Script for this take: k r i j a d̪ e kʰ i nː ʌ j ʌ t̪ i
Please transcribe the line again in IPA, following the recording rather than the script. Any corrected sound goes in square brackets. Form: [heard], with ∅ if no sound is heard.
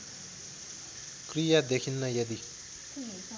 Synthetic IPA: k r i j a d̪ e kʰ i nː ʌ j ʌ [d̪] i